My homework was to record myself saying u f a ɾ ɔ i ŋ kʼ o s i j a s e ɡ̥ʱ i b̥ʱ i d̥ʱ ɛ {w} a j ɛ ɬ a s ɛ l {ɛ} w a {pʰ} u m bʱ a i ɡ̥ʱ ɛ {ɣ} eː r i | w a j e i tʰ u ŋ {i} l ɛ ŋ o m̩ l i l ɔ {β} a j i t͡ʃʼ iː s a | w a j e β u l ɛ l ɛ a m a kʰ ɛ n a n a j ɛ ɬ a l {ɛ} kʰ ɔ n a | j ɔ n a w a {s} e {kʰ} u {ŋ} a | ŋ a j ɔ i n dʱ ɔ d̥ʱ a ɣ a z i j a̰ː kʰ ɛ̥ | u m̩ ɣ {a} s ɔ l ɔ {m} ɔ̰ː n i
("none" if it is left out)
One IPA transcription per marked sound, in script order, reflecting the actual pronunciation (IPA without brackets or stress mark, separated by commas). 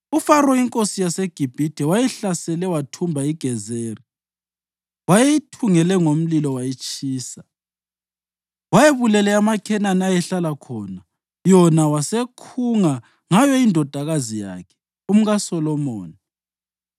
w, ɛ, tʰ, z, ɛ, w, a, s, kʰ, ŋ, a, m